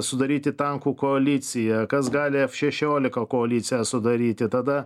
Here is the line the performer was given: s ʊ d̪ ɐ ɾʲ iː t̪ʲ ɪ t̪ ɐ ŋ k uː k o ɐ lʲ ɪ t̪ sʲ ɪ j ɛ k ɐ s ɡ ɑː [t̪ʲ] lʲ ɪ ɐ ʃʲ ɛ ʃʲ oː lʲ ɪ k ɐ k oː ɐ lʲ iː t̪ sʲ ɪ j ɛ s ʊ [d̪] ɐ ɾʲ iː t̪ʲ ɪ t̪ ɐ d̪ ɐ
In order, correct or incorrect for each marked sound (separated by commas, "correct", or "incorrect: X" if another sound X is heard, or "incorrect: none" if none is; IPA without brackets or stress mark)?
incorrect: none, correct